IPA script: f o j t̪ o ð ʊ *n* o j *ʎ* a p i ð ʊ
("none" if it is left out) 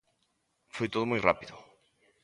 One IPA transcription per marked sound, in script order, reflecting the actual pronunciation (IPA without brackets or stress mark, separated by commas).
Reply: m, r